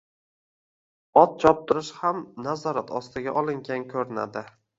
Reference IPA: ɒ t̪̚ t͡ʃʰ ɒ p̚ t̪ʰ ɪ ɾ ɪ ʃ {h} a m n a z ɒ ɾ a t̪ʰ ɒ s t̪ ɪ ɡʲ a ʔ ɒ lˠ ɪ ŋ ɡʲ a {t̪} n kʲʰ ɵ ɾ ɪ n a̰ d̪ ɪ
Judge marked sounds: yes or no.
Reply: yes, no

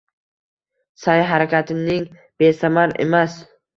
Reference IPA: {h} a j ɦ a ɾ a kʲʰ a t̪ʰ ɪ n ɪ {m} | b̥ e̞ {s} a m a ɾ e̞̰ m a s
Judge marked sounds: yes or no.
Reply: no, no, yes

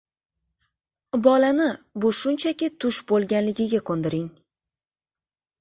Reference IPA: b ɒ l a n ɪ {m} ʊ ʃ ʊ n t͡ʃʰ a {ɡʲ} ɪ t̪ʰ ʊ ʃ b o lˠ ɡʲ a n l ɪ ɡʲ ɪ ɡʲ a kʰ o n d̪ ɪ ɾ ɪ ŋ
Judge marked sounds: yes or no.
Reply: no, no

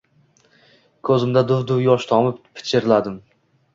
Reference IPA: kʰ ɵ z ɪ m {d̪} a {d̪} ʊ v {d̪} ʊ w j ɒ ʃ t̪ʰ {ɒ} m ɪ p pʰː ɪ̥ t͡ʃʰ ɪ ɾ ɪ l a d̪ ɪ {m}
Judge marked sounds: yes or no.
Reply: yes, yes, yes, yes, yes

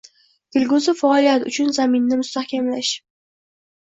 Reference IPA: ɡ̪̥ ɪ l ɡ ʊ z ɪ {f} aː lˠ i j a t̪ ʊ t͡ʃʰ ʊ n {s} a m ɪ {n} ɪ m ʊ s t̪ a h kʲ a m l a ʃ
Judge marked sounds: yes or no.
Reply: yes, no, no

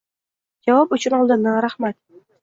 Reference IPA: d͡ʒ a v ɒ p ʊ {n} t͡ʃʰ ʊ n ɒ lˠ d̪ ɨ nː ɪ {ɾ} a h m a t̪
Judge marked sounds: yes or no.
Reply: no, yes

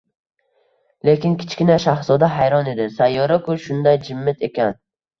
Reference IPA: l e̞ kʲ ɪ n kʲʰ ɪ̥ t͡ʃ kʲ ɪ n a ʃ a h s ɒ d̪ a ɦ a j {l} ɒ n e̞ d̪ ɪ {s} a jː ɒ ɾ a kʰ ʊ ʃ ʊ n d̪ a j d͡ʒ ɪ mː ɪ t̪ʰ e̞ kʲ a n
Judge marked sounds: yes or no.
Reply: no, yes

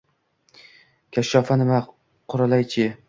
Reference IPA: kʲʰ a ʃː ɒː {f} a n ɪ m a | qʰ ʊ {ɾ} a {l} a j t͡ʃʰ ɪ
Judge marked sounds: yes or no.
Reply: yes, yes, yes

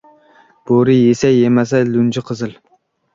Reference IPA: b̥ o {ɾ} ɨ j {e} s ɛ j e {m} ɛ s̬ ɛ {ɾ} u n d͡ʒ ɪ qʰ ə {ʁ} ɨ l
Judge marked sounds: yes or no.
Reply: yes, yes, yes, no, no

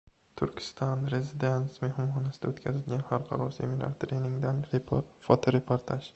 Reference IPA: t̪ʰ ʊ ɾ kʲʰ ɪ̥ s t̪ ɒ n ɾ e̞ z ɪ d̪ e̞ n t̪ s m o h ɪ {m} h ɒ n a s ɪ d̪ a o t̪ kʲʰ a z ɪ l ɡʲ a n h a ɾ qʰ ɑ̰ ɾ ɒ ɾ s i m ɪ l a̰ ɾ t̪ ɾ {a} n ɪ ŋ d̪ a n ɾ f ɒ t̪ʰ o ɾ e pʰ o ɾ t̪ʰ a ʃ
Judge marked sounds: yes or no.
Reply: yes, no

